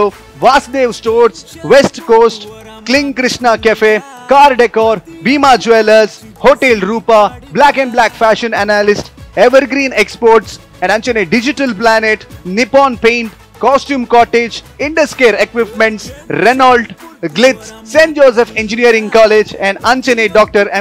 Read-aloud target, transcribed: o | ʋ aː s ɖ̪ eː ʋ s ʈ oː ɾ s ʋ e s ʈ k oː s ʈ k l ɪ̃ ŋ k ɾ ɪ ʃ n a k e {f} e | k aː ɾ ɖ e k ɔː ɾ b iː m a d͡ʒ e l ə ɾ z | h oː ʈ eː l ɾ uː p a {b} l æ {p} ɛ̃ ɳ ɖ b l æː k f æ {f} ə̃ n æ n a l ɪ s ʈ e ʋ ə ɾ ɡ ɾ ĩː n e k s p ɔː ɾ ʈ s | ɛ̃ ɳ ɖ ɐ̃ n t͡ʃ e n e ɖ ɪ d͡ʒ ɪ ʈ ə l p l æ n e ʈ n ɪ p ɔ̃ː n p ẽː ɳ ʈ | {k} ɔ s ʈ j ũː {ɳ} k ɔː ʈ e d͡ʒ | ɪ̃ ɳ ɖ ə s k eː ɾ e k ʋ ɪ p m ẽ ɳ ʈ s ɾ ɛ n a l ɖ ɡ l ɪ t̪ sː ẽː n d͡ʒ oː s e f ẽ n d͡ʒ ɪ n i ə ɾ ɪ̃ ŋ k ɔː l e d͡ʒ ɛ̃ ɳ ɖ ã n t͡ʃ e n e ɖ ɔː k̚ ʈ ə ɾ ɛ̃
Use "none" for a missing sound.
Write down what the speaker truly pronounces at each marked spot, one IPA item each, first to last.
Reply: f, b, k, ʃ, k, m

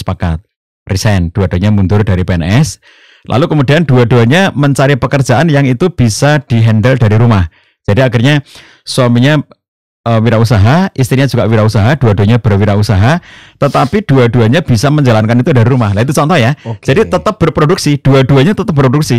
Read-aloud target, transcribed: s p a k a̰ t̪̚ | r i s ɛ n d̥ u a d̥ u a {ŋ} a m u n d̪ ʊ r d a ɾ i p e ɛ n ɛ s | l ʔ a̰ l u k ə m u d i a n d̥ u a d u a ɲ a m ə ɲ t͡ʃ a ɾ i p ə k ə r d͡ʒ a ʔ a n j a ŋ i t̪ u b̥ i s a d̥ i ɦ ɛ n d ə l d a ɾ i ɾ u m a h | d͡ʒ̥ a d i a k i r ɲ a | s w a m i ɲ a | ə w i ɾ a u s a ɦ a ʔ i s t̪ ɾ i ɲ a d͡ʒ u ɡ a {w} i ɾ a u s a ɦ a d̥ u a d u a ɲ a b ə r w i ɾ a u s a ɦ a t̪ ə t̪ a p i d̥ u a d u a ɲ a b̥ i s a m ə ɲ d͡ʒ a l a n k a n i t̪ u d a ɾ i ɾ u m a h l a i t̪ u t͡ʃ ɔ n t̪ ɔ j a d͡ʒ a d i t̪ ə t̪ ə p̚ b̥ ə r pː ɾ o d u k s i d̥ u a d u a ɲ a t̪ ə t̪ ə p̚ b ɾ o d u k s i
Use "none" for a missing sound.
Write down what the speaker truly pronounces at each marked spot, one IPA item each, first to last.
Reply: ɲ, w

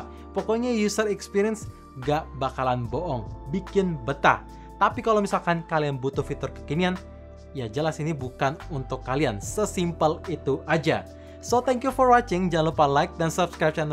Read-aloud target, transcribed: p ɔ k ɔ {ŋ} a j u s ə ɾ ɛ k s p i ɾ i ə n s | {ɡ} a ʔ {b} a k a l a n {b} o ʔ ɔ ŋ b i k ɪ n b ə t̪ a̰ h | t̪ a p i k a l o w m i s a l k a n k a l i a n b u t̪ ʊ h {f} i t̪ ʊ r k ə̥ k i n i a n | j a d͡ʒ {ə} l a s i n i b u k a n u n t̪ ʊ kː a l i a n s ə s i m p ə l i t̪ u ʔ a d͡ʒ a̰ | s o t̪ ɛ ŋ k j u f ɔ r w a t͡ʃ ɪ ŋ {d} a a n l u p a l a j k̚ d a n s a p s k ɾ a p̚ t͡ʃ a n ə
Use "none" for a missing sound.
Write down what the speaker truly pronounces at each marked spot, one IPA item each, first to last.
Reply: ɲ, ɡ, b, b, f, ə, d͡ʒ

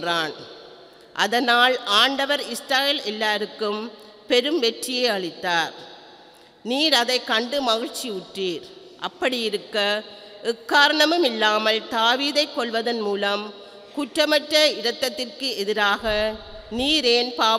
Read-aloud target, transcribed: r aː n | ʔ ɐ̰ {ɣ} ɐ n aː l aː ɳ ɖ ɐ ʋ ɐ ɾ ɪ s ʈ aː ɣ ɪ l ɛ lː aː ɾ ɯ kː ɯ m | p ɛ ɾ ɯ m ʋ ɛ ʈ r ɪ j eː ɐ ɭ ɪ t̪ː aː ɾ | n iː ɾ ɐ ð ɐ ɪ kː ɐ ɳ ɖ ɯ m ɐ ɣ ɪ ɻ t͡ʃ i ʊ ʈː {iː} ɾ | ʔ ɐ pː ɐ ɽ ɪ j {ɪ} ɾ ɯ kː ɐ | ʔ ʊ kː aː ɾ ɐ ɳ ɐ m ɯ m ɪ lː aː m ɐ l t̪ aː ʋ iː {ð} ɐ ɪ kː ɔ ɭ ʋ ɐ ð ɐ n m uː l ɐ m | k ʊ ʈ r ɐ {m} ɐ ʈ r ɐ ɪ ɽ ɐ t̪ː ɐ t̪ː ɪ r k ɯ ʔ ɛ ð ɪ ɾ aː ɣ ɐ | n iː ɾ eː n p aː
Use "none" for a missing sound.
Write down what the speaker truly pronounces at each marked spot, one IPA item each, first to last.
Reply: ð, iː, ɪ, ð, m

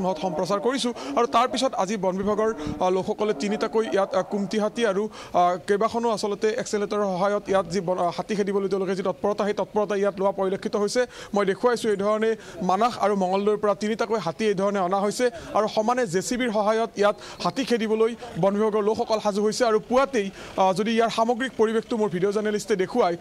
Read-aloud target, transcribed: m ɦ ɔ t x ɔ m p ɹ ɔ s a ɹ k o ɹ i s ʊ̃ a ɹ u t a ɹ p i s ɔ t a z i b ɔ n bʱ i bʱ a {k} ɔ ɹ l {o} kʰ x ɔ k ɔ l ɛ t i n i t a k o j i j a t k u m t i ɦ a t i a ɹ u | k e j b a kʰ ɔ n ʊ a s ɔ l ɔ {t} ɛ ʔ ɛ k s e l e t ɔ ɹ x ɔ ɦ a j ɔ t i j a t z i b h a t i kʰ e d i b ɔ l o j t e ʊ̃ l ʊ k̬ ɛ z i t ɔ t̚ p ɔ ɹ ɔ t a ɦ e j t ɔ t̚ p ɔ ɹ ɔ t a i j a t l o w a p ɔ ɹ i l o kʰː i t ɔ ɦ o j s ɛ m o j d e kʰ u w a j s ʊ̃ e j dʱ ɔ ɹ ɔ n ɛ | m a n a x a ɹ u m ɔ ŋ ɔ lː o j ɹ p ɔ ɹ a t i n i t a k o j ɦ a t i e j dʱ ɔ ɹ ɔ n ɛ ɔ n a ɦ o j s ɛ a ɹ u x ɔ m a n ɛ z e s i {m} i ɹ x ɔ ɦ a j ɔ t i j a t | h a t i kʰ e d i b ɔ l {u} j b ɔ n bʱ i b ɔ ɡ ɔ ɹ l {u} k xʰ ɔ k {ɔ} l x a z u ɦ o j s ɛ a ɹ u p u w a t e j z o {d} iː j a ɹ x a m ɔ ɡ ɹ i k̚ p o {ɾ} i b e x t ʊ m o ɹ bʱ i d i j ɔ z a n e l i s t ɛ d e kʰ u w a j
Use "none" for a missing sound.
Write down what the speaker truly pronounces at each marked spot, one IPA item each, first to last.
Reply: ɡ, o, t, b, o, o, ɔ, d, ɹ

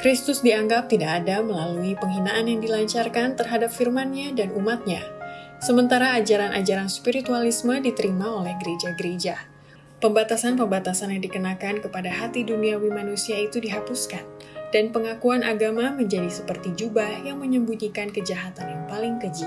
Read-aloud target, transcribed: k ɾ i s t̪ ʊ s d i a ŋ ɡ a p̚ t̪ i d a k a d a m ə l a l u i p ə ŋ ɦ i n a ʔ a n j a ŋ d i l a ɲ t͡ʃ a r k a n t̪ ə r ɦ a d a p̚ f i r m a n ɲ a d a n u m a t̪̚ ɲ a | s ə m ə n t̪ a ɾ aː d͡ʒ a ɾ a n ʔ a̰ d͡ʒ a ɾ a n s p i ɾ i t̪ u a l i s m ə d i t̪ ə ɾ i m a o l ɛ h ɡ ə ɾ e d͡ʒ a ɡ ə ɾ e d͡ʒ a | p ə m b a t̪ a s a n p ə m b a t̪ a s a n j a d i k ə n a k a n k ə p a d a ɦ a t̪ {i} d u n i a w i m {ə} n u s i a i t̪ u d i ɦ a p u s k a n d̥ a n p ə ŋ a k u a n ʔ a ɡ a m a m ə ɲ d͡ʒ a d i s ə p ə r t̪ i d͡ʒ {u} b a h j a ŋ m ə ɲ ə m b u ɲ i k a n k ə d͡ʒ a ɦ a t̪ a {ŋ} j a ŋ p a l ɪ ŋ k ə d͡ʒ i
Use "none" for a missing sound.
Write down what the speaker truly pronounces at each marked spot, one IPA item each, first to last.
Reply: i, a, u, n

